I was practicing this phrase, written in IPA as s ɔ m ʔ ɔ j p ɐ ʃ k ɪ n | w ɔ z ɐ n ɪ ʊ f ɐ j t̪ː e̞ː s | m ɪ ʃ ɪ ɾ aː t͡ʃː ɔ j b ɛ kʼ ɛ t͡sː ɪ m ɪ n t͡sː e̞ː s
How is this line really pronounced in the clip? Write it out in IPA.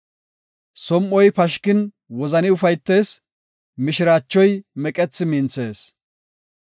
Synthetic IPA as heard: s ɔ m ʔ ɔ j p ɐ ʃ k ɪ n | w ɔ z ɐ n ɪ ʊ f ɐ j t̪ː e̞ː s | m ɪ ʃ ɪ ɾ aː t͡ʃː ɔ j m ɛ kʼ ɛ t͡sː ɪ m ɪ n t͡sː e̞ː s

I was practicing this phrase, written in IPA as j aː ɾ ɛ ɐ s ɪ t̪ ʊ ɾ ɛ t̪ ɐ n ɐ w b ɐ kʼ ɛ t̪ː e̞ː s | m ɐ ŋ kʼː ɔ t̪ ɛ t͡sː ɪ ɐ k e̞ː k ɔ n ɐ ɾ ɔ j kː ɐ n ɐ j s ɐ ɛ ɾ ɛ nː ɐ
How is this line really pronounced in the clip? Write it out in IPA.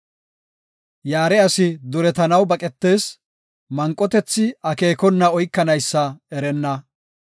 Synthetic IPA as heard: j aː ɾ ɛ ɐ s ɪ d̪ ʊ ɾ ɛ t̪ ɐ n ɐ w b ɐ kʼ ɛ t̪ː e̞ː s | m ɐ ŋ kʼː ɔ t̪ ɛ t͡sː ɪ ɐ k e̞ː k ɔ nː ɐ ɔ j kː ɐ n ɐ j sː ɐ ɛ ɾ ɛ nː ɐ

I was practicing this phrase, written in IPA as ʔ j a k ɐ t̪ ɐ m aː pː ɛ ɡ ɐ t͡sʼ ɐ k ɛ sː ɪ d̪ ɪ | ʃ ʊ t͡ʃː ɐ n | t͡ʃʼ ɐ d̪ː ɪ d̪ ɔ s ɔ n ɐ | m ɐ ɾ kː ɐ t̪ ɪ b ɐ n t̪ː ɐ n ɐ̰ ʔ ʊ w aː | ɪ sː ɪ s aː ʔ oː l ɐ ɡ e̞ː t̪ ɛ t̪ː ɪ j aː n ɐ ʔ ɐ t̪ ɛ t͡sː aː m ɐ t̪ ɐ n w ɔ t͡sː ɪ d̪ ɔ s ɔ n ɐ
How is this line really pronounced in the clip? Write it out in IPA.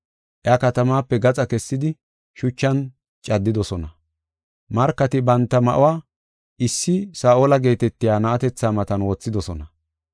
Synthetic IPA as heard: ʔ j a k ɐ t̪ ɐ m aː pː ɛ ɡ ɐ t͡sʼ ɐ k ɛ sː ɪ d̪ ɪ | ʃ ʊ t͡ʃː ɐ n | t͡ʃʼ ɐ d̪ː ɪ d̪ ɔ s ɔ n ɐ | m ɐ ɾ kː ɐ t̪ ɪ b ɐ n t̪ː ɐ m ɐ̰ ʔ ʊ w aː | ɪ sː ɪ s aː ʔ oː l ɐ ɡ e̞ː t̪ ɛ t̪ː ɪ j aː n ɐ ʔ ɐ t̪ ɛ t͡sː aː m ɐ t̪ ɐ n w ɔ t͡sː ɪ d̪ ɔ s ɔ n ɐ

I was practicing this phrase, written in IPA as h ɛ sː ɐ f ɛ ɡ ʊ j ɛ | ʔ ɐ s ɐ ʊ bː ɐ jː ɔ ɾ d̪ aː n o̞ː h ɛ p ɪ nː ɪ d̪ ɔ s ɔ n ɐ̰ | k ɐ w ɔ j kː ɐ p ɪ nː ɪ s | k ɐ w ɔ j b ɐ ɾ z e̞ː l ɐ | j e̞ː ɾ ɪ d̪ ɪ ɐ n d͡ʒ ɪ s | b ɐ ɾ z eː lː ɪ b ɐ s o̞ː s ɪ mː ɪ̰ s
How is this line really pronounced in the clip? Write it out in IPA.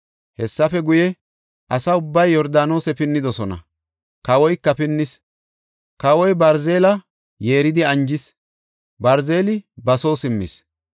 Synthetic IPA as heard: h ɛ sː ɐ f ɛ ɡ ʊ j ɛ | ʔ ɐ s ɐ ʊ bː ɐ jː ɔ ɾ d̪ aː n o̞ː s ɛ p ɪ nː ɪ d̪ ɔ s ɔ n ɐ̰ | k ɐ w ɔ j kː ɐ p ɪ nː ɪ s | k ɐ w ɔ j b ɐ ɾ z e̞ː l ɐ | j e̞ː ɾ ɪ d̪ ɪ ɐ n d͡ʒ ɪ s | b ɐ ɾ z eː l ɪ b ɐ s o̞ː s ɪ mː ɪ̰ s

